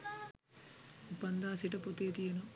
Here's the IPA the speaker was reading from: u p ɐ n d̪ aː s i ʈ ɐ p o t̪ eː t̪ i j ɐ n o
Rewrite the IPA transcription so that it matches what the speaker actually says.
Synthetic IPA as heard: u p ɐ n d̪ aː s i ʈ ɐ p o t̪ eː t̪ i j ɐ n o